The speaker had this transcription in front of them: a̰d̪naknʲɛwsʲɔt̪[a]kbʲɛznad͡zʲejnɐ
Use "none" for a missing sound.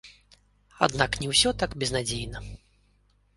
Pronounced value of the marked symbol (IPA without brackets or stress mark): a